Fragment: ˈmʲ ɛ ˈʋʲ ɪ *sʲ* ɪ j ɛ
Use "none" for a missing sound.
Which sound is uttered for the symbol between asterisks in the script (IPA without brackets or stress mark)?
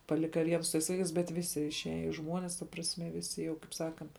sʲ